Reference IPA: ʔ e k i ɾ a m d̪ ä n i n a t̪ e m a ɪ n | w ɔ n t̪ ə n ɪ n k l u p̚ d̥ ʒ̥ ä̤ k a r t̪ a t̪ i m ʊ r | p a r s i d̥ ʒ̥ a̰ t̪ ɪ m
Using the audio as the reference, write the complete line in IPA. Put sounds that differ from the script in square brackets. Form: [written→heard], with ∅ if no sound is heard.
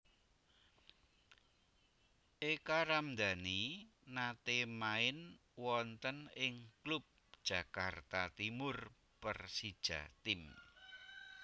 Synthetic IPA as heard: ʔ e k [i→a] ɾ a m d̪ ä n i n a t̪ e m a ɪ n | w ɔ n t̪ ə n ɪ [n→ŋ] k l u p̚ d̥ ʒ̥ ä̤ k a r t̪ a t̪ i m ʊ r | p [a→ə] r s i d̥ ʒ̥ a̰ t̪ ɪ m